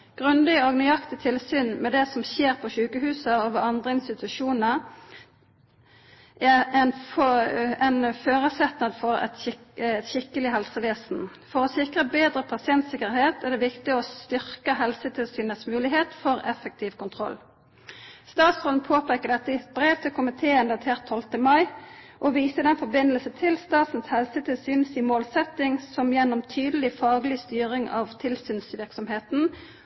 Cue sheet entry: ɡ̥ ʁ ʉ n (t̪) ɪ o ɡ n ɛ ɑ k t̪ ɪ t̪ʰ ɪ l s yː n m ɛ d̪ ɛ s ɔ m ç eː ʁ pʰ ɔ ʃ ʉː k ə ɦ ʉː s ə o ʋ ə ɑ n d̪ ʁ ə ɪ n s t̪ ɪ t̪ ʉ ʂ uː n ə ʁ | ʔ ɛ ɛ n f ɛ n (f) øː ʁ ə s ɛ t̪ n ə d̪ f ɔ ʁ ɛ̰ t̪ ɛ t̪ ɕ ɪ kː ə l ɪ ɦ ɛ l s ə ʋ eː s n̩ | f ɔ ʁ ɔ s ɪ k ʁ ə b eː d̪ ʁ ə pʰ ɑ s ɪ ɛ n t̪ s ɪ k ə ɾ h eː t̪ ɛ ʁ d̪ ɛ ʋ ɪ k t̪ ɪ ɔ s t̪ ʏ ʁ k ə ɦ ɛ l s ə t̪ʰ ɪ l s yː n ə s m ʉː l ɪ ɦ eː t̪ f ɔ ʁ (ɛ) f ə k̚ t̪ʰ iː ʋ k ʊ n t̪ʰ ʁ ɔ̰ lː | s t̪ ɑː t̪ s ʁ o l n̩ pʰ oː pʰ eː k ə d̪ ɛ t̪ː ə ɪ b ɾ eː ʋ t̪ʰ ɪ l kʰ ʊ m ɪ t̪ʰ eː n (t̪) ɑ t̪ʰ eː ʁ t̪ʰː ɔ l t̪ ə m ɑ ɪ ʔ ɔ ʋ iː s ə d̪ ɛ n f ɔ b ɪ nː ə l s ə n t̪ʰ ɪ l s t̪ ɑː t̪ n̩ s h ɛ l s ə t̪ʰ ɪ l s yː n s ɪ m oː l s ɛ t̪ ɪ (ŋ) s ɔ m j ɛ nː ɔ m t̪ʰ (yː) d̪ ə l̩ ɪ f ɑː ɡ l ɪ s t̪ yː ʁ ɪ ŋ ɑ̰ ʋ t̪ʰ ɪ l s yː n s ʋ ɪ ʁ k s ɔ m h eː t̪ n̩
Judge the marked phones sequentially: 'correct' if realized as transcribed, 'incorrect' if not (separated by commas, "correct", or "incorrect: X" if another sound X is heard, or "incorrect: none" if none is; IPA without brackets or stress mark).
incorrect: d̪, correct, correct, incorrect: d̪, correct, correct